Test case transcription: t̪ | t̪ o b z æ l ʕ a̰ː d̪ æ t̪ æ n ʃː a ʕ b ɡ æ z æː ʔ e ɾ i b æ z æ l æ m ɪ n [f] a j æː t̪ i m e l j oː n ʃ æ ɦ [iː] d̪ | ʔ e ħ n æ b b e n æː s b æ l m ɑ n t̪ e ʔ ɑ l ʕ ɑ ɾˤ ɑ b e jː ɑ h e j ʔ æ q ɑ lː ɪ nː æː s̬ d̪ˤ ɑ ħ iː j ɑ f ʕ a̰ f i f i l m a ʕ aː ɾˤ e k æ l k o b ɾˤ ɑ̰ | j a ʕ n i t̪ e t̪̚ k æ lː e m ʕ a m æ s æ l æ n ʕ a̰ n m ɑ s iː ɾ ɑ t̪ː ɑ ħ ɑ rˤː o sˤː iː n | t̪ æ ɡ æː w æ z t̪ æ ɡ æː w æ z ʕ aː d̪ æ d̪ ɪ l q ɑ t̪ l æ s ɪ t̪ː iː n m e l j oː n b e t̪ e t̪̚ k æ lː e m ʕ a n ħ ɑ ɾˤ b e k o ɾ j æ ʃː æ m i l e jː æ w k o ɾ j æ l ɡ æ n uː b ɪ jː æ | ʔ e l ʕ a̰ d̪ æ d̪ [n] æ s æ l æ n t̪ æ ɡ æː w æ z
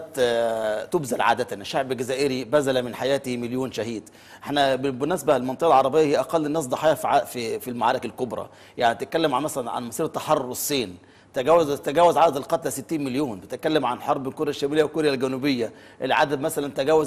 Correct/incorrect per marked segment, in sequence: incorrect, correct, incorrect

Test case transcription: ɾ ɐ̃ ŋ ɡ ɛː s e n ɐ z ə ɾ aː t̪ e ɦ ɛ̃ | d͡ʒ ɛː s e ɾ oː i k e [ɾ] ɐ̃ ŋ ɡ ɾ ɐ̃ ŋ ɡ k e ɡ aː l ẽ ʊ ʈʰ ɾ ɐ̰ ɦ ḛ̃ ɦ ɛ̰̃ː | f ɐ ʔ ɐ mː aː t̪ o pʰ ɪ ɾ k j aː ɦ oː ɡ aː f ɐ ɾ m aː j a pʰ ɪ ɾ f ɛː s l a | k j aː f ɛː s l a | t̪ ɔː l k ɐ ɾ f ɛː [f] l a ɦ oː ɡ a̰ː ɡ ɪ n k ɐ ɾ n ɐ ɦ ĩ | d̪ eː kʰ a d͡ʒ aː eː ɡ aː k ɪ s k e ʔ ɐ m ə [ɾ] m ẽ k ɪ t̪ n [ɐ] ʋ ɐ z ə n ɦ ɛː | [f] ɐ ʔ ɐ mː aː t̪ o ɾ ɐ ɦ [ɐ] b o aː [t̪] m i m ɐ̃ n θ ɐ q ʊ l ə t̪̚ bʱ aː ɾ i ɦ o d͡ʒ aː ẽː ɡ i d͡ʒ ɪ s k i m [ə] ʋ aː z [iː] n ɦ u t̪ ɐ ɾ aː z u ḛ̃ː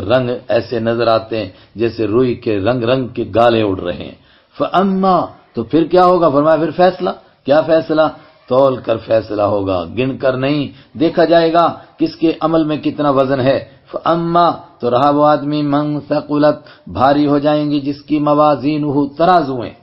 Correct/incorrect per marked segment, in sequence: correct, incorrect, incorrect, incorrect, correct, incorrect, incorrect, incorrect, correct

